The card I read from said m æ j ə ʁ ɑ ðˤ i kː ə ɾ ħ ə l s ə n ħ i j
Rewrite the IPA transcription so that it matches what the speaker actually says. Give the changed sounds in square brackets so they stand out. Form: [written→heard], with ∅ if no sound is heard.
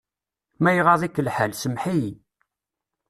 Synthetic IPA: m æ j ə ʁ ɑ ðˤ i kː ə [ɾ→l] ħ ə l s ə [n→m] ħ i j